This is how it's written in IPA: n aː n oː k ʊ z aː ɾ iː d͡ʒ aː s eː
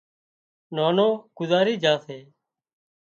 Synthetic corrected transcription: n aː n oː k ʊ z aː ɾ iː d͡ʒ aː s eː